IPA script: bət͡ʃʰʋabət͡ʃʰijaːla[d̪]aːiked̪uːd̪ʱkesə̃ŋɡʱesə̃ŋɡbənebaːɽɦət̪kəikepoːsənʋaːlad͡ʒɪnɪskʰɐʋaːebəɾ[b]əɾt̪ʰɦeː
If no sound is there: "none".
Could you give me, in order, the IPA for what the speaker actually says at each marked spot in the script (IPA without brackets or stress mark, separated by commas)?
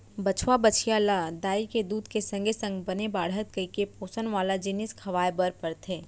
d̪, p